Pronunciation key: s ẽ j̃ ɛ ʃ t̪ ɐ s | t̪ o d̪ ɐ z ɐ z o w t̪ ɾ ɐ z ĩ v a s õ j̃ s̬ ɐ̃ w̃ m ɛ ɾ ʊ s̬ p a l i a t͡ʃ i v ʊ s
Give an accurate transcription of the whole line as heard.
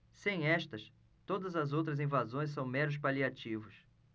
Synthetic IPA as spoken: s ẽ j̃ ɛ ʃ t̪ ɐ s | t̪ o d̪ ɐ z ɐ z o w t̪ ɾ ɐ z ĩ v a z õ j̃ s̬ ɐ̃ w̃ m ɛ ɾ ʊ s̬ p a l i a t͡ʃ i v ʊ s